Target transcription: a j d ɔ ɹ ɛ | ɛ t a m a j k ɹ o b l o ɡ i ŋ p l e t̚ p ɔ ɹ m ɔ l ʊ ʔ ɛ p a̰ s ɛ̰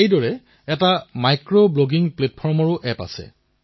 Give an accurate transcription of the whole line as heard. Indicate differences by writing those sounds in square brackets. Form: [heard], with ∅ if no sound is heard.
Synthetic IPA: [e] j d ɔ ɹ ɛ | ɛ t a m a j k ɹ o b l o ɡ i ŋ p l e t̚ [pʰ] ɔ ɹ m ɔ [ɹ] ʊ ʔ ɛ p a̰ s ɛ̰